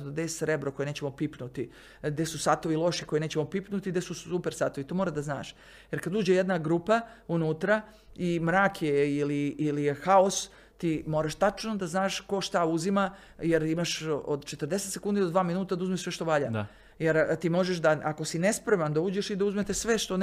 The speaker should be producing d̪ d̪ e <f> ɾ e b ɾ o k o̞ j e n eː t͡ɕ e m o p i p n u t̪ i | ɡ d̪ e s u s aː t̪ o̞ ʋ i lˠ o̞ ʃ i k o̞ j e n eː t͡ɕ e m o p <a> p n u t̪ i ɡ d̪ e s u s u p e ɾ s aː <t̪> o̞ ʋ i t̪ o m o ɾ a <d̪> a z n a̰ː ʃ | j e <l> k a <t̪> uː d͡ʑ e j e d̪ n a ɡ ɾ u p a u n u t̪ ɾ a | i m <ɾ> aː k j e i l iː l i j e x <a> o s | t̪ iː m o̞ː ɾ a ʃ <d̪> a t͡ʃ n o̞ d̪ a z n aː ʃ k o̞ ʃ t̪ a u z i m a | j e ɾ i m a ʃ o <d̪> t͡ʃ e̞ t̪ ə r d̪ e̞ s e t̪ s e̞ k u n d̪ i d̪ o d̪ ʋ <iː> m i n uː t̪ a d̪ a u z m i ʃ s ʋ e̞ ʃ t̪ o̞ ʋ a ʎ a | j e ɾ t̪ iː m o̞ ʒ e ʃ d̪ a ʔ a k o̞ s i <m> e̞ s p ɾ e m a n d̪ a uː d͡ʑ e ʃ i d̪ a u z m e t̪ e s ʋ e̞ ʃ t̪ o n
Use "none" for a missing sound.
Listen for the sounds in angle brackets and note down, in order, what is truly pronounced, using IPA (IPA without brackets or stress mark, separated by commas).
s, i, t̪, d̪, ɾ, d̪, ɾ, a, t̪, d̪, aː, n